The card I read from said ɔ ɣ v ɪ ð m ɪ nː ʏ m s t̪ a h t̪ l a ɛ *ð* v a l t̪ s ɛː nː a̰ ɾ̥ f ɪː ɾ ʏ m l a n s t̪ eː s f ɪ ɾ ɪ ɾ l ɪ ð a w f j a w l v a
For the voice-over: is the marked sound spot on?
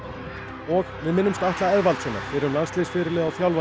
yes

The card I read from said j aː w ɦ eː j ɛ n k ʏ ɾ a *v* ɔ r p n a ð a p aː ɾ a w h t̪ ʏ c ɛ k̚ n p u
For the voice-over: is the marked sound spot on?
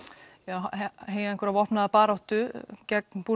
yes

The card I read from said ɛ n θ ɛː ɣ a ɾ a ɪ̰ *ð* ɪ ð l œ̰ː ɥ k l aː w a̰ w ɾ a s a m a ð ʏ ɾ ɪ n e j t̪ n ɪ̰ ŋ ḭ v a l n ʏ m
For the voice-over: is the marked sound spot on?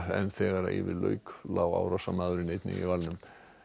no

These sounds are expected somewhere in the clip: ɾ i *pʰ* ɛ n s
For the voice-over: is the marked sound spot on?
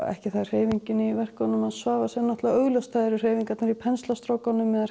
yes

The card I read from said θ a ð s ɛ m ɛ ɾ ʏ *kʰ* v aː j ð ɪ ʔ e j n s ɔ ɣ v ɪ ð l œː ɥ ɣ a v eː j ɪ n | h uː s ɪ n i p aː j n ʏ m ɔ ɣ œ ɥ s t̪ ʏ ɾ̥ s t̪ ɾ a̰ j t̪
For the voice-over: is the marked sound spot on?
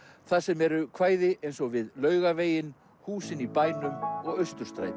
yes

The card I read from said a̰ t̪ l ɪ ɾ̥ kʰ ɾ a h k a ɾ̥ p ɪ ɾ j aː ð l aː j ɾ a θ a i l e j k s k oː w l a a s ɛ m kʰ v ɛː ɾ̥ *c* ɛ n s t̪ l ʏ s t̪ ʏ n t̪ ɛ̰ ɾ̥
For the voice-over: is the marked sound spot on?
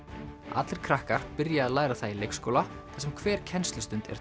no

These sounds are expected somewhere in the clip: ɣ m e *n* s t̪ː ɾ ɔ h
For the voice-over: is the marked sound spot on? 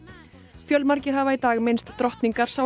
yes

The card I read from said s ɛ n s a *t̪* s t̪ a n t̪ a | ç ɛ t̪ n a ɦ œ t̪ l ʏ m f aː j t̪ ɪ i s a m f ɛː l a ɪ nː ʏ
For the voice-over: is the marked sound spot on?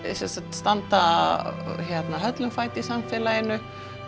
yes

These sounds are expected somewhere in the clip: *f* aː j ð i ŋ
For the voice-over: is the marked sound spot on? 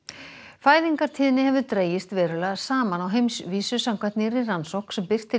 yes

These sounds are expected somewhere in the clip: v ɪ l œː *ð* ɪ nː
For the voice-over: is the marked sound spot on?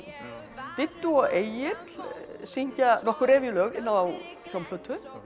no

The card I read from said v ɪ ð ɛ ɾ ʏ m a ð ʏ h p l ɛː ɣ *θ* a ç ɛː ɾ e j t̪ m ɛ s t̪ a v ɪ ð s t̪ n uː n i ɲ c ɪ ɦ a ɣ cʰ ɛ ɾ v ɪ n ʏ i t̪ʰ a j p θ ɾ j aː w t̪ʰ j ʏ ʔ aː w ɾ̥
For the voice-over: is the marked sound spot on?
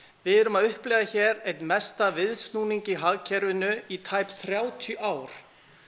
no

